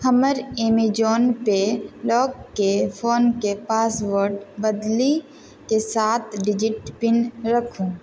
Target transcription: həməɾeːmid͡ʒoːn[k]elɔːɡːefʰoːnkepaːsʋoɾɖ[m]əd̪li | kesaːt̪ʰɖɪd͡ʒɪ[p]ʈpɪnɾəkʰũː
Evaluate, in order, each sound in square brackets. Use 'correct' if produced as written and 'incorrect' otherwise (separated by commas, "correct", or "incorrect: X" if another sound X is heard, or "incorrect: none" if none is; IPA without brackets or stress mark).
incorrect: p, incorrect: b, incorrect: none